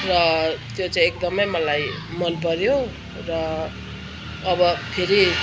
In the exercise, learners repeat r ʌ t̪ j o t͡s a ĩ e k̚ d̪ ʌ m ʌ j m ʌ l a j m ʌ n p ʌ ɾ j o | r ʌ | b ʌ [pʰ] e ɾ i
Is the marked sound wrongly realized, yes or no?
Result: no